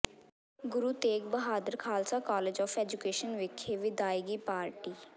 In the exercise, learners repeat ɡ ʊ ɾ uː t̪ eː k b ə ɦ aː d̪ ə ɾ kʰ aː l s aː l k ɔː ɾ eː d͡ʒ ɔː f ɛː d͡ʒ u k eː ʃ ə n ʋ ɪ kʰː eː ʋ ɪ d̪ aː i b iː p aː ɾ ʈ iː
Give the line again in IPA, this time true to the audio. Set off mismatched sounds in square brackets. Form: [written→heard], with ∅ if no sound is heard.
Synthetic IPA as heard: ɡ ʊ ɾ uː t̪ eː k b ə ɦ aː d̪ ə ɾ kʰ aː l s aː [l→∅] k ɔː [ɾ→l] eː d͡ʒ ɔː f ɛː d͡ʒ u k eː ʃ ə n ʋ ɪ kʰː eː ʋ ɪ d̪ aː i [b→ɡ] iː p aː ɾ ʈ iː

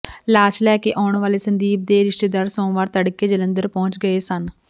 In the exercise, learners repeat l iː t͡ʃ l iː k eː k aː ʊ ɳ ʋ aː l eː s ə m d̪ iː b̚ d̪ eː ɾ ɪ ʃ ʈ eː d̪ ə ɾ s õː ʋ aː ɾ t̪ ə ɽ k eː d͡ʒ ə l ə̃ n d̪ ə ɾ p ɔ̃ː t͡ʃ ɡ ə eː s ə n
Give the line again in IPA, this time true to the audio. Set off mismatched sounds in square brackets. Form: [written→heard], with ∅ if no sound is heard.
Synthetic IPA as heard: l [iː→aː] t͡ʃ l [iː→ɛː] k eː [k→ʔ] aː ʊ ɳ ʋ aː l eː s ə [m→n] d̪ iː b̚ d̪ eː ɾ ɪ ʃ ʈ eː d̪ ə ɾ s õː ʋ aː ɾ t̪ ə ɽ k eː d͡ʒ ə l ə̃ n d̪ ə ɾ p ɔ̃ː t͡ʃ ɡ ə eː s ə n

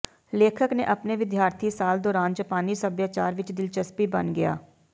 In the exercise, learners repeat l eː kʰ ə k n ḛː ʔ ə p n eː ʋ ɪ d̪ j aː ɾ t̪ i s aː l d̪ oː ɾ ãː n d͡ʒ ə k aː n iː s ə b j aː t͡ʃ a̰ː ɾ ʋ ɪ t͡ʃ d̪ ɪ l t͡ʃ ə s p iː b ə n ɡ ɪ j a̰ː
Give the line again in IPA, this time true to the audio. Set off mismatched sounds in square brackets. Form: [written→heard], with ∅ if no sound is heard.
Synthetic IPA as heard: l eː kʰ ə k n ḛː ʔ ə p n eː ʋ ɪ d̪ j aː ɾ [t̪→t̪ʰ] i s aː l d̪ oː ɾ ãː n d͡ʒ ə [k→p] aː n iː s ə b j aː t͡ʃ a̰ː ɾ ʋ ɪ t͡ʃ d̪ ɪ l t͡ʃ ə s p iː b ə n ɡ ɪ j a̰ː

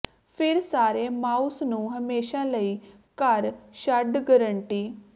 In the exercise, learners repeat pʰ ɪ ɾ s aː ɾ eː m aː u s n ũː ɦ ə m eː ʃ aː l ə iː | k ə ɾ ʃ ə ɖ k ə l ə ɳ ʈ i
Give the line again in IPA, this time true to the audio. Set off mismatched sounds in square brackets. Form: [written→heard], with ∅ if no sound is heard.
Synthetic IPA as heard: pʰ ɪ ɾ s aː ɾ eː m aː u s n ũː ɦ ə m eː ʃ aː l ə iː | k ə ɾ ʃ ə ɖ [k→ɡ] ə [l→ɾ] ə ɳ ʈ [i→iː]

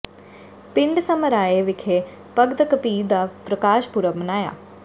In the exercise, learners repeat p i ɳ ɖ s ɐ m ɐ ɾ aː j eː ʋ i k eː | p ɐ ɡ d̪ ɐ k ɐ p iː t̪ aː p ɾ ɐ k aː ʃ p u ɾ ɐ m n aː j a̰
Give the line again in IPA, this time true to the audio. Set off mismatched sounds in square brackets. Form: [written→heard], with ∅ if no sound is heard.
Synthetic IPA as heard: p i ɳ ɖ s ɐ m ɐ ɾ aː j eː ʋ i [k→kʰ] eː | p ɐ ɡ d̪ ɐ k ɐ p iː [t̪→d̪] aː p ɾ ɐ k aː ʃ p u ɾ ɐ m n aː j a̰

